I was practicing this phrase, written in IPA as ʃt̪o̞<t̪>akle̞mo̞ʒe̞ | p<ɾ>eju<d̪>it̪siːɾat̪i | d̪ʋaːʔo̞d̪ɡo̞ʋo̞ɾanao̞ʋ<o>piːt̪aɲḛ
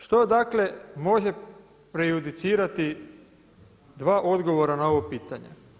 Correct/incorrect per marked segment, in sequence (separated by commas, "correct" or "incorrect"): incorrect, correct, correct, correct